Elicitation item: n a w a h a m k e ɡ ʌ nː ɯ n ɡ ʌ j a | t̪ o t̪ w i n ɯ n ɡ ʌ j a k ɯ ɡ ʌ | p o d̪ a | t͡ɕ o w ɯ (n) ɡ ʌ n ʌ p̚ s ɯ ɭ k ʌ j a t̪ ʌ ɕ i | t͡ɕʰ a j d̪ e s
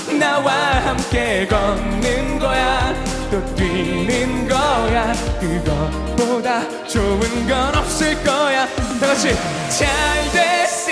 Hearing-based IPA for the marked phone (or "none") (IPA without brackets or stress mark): n